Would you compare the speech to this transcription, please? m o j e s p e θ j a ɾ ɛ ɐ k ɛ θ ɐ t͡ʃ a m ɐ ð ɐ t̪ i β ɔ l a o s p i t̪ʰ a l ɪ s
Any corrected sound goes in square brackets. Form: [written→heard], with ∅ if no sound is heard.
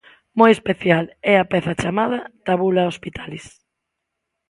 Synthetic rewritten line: m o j e s p e θ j a [ɾ→l] ɛ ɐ [k→p] ɛ θ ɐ t͡ʃ a m [ɐ→a] ð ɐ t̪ [i→a] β [ɔ→u] l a o s p i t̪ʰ a l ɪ s